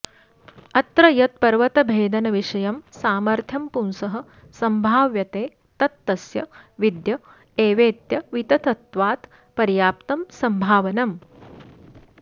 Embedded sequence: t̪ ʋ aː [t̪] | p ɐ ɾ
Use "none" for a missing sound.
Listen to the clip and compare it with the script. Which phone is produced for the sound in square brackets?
t̪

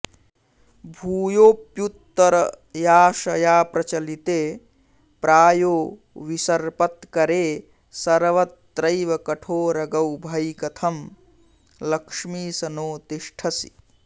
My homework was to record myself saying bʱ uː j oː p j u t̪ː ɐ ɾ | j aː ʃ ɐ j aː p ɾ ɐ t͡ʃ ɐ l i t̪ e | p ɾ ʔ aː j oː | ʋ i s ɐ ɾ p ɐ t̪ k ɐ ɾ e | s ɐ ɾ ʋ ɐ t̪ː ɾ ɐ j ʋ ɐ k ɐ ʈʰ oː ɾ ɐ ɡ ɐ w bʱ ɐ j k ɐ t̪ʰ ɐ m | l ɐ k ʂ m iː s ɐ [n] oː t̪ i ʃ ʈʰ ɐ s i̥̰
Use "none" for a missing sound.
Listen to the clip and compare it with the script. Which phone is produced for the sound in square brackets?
n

